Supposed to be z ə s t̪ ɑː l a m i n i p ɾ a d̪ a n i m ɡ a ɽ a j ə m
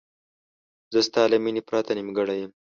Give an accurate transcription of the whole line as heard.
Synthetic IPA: z ə s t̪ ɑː l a m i n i p ɾ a t̪ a n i m ɡ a ɽ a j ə m

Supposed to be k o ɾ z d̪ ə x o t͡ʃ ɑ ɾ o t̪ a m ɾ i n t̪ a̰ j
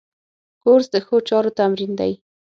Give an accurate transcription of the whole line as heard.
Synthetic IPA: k o ɾ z d̪ ə x o t͡ʃ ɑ ɾ o t̪ a m ɾ i n d̪ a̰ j

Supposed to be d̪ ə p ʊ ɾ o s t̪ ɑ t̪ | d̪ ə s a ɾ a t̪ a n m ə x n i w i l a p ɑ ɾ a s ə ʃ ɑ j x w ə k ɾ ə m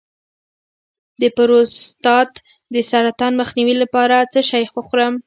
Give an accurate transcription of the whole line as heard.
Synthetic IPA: d̪ ə p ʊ ɾ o s t̪ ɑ t̪ | d̪ ə s a ɾ a t̪ ɑ n m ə x n i w i l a p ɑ ɾ a t͡s ə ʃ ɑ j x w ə x ɾ ə m

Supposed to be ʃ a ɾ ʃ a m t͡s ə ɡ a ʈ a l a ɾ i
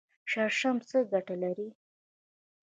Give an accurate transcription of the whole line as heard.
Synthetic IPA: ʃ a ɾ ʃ a m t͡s ə ɡ a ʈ a l a ɾ i

